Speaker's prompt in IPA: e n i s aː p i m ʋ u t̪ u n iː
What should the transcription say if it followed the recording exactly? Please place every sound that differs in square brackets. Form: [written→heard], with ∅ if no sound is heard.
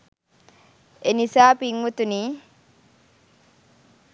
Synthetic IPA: e n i s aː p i [m→ŋ] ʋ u t̪ u n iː